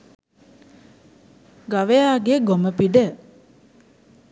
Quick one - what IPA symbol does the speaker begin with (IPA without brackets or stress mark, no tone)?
ɡ